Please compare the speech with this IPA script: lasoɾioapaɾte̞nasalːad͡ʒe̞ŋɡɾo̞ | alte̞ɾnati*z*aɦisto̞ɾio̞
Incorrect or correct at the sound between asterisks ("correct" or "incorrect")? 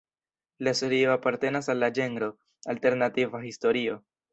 incorrect